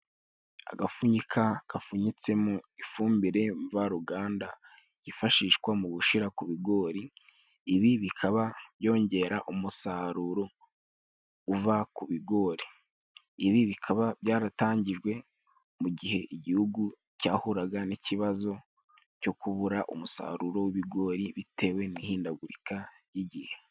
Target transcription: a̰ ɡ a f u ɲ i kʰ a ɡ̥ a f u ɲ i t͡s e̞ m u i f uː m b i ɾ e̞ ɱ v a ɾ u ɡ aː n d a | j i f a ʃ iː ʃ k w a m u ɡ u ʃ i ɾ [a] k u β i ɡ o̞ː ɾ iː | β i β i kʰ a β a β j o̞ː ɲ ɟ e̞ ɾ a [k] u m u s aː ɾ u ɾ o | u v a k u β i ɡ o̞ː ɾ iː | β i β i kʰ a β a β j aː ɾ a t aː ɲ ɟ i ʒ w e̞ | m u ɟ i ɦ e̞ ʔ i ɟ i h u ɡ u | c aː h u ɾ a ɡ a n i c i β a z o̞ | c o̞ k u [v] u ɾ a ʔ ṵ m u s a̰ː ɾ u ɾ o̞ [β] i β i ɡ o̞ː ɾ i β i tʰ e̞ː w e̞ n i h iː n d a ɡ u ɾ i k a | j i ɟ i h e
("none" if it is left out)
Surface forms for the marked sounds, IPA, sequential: a, ʔ, β, w

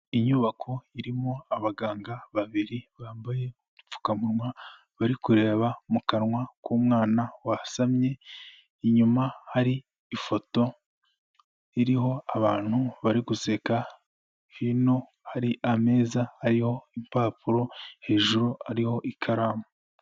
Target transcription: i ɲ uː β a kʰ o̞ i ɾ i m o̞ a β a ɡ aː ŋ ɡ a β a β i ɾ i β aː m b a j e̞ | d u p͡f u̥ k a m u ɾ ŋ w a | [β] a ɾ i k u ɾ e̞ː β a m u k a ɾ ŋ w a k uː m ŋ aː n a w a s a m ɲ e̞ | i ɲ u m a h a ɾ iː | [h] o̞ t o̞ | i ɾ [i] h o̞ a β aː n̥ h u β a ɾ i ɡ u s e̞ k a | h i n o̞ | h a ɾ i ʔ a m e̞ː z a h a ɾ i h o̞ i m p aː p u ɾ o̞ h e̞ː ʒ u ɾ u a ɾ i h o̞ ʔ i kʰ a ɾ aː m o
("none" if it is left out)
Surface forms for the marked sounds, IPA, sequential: β, f, i

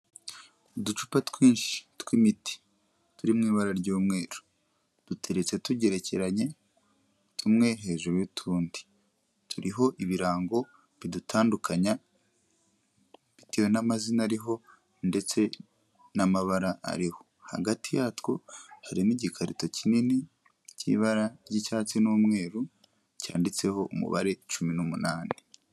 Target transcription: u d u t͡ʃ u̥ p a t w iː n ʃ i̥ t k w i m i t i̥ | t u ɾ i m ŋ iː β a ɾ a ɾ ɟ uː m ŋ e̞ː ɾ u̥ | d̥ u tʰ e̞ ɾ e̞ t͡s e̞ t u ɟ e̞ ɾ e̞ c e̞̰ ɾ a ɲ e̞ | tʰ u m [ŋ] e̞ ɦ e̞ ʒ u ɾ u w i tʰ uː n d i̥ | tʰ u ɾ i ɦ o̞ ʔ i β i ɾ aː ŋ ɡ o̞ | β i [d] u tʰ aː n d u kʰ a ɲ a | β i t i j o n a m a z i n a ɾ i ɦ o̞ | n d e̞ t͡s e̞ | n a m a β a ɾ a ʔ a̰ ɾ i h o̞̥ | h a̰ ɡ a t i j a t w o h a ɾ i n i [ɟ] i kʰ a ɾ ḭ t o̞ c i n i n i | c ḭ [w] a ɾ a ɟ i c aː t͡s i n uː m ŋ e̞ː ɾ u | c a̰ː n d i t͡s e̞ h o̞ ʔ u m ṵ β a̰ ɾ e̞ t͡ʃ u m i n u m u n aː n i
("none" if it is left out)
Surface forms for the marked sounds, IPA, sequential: ŋ, d, ɟ, β

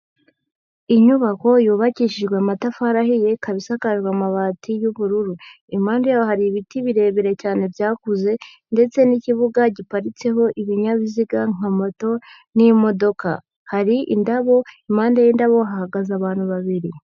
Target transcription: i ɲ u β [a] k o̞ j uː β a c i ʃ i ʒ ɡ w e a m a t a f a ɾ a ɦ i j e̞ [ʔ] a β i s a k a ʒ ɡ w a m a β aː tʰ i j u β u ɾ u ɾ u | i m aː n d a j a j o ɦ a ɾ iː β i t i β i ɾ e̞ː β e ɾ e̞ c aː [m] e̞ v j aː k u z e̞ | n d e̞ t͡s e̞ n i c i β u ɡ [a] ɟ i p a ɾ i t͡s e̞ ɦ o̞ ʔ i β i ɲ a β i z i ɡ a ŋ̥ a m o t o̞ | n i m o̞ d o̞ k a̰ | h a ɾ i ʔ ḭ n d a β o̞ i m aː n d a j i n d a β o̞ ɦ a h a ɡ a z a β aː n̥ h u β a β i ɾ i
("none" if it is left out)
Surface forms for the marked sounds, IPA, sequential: a, k, n, a

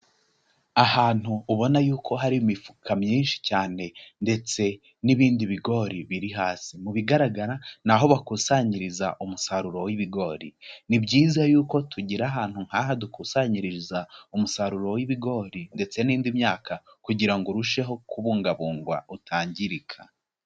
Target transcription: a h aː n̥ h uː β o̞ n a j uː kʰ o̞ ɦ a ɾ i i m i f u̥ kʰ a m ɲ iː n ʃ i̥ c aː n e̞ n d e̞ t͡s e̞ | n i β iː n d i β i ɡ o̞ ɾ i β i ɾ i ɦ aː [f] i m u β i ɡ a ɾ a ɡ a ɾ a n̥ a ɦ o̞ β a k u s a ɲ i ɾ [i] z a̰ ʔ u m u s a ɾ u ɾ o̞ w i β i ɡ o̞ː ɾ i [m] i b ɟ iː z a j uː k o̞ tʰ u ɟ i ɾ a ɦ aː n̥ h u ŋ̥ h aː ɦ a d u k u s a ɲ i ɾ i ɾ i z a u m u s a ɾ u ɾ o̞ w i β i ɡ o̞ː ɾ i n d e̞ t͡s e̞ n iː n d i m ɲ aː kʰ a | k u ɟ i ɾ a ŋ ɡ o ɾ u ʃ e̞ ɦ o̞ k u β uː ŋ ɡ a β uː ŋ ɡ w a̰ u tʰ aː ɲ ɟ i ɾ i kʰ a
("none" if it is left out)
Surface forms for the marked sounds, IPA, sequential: s, i, n

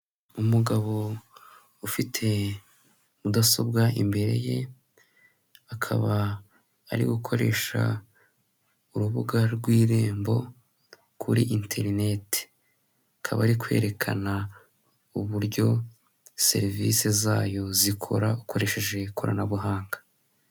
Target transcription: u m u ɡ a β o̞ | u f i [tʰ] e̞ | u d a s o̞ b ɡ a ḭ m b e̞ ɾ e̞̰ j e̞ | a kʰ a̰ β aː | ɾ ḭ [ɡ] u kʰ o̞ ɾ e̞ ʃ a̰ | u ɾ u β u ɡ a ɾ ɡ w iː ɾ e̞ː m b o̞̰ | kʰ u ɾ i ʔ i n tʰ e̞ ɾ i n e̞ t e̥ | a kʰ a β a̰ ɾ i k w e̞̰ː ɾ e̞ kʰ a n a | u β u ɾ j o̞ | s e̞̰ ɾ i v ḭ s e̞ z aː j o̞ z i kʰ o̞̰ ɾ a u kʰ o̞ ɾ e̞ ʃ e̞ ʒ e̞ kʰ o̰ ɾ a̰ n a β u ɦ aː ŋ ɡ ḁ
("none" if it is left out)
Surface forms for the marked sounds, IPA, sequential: tʰ, ɡ

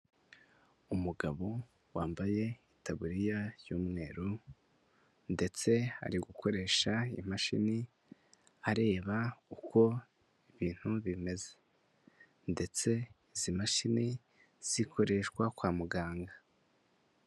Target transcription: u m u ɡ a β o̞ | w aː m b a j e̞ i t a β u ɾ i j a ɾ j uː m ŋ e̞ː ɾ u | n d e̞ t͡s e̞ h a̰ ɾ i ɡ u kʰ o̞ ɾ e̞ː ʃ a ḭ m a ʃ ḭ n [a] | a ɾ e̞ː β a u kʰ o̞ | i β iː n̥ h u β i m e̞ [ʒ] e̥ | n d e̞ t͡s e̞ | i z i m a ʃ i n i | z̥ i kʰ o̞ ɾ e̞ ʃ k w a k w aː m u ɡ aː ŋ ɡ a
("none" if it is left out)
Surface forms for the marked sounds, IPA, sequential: i, z

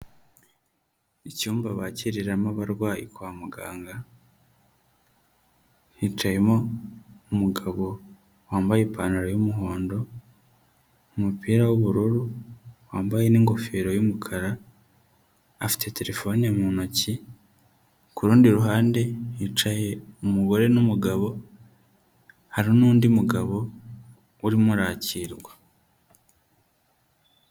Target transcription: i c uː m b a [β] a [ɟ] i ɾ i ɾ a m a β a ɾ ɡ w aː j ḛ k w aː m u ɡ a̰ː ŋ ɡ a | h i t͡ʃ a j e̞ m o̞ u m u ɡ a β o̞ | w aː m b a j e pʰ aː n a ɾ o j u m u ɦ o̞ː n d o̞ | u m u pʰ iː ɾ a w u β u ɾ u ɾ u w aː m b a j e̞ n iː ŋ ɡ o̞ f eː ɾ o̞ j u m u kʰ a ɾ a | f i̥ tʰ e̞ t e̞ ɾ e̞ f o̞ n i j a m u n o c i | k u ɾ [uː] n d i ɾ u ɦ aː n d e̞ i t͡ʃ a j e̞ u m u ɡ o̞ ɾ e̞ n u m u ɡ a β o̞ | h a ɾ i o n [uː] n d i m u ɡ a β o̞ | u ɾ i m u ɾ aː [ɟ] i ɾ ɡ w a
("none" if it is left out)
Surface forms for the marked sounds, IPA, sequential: β, c, uː, uː, c

